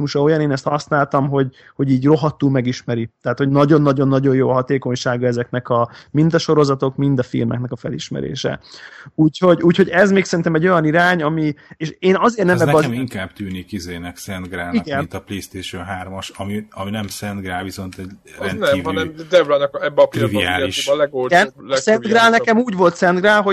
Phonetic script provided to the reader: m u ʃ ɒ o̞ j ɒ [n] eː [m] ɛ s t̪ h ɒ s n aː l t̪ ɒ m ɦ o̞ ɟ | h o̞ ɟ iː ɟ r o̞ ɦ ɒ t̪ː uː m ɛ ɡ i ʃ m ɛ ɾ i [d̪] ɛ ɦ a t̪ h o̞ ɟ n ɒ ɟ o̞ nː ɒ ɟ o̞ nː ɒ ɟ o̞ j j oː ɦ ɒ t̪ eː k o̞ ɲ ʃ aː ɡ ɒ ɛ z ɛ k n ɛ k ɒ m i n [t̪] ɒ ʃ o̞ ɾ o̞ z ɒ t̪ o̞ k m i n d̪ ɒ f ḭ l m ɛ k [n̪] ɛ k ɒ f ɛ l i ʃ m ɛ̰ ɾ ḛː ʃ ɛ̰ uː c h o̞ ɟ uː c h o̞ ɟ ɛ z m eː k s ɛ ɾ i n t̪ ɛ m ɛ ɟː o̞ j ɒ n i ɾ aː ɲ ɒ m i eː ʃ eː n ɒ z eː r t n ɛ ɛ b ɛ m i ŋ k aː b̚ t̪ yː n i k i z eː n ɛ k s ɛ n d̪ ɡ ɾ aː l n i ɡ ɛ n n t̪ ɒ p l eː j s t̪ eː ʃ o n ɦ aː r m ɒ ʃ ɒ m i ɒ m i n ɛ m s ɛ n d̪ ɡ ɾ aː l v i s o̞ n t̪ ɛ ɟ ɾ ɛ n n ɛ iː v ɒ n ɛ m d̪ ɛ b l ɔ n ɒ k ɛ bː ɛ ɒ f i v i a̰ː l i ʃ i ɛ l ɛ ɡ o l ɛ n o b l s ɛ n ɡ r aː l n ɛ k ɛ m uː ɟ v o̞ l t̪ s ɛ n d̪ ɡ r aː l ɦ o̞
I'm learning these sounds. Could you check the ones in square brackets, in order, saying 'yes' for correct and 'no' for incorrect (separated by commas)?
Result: yes, no, no, no, yes